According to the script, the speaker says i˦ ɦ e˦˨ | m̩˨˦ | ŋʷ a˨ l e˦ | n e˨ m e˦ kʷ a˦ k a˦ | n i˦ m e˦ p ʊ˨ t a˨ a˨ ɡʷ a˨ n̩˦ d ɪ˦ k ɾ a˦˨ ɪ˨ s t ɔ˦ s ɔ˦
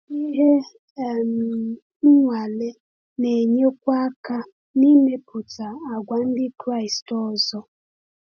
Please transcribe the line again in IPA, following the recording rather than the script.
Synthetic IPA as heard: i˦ ɦ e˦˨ | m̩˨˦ | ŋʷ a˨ l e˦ | n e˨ ɲ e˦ kʷ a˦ k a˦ | n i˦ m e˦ p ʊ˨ t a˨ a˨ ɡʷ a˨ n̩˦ d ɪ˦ k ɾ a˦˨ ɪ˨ s t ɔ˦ z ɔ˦